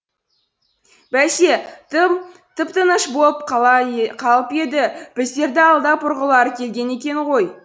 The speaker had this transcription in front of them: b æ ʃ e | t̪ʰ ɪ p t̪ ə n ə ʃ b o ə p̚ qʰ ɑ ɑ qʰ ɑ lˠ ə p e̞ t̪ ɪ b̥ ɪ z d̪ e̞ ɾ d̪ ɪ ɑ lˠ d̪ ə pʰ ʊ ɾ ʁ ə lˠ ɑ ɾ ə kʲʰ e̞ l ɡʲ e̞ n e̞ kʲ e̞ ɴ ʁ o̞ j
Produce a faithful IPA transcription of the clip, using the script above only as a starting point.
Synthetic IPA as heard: b æ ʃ e | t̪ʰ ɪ p t̪ ə n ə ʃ b o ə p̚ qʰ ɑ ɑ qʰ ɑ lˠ ə p e̞ d̪ ɪ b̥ ɪ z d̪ e̞ ɾ d̪ ɪ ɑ lˠ d̪ ɑ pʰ ʊ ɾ ʁ ə lˠ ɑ ɾ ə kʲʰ e̞ l ɡʲ e̞ n e̞ kʲ e̞ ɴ ʁ o̞ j